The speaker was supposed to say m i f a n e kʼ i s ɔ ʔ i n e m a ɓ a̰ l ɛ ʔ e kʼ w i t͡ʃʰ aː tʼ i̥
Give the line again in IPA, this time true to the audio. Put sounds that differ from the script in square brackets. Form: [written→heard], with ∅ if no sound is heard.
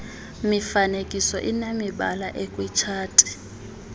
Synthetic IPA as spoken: m i f a n e kʼ i s ɔ ʔ i n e m [a→i] ɓ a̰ l [ɛ→a] ʔ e kʼ w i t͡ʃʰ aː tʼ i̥